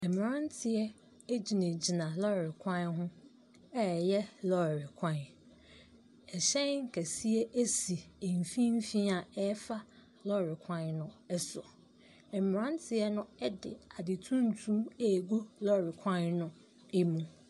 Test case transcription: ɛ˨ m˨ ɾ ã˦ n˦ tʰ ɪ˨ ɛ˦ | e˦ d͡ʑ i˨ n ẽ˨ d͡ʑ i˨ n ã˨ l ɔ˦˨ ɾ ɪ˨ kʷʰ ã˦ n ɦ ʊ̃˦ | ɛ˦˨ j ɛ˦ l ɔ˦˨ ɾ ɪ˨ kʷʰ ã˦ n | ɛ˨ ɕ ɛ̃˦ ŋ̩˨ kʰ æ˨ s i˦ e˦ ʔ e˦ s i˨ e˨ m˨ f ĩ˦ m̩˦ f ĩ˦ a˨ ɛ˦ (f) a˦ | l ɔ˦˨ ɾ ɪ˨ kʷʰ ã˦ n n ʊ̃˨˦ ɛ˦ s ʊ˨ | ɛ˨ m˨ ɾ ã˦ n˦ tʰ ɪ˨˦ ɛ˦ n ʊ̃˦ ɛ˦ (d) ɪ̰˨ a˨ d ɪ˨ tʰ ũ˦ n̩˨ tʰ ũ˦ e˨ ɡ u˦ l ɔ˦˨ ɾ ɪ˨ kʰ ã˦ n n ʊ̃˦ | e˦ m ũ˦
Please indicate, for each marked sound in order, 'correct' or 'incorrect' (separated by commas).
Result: correct, correct